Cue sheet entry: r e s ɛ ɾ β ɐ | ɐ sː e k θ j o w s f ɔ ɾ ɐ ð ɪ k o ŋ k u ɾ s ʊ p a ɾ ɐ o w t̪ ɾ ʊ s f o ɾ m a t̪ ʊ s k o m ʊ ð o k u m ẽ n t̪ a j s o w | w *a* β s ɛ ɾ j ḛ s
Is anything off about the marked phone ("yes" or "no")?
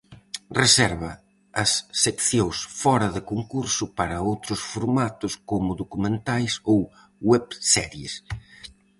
yes